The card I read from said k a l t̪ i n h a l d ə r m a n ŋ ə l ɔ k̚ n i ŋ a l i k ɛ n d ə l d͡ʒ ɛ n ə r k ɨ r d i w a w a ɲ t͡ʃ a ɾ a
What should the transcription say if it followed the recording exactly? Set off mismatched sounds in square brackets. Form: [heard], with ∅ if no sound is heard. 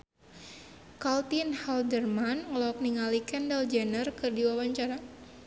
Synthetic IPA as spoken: k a l t̪ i n h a l d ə r m a n ŋ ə l ɔ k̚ n i ŋ a l i k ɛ n d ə l d͡ʒ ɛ n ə r k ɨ r d i w a w a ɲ t͡ʃ a ɾ a